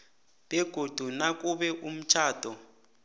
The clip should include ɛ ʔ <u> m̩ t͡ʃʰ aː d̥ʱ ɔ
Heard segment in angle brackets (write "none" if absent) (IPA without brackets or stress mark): u